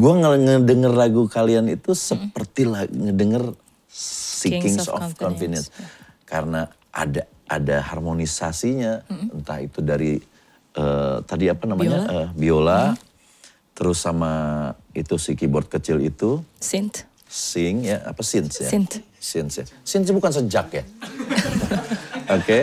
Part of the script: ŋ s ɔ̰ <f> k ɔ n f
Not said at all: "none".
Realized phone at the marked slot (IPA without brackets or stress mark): f